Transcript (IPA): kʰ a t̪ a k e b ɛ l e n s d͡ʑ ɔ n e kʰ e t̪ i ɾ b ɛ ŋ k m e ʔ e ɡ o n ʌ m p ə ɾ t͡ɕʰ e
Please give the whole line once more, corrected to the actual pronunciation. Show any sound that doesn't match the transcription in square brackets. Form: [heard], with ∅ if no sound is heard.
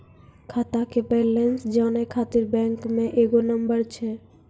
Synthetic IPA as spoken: kʰ a t̪ a k e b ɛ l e n s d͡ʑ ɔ n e kʰ [a] t̪ i ɾ b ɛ ŋ k m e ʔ e ɡ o n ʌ m [b] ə ɾ t͡ɕʰ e